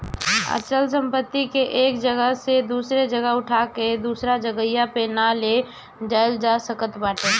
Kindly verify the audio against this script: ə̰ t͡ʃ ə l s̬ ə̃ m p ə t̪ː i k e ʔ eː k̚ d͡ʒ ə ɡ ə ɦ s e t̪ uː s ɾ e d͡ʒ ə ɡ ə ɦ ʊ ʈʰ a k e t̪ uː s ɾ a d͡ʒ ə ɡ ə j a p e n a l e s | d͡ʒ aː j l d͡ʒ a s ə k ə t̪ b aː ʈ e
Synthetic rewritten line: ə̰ t͡ʃ ə l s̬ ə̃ m p ə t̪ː i k e ʔ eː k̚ d͡ʒ ə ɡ ə ɦ s e d̪ uː s ɾ e d͡ʒ ə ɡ ə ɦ ʊ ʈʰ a k e d̪ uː s ɾ a d͡ʒ ə ɡ ə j a p e n a l e | d͡ʒ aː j l d͡ʒ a s ə k ə t̪ b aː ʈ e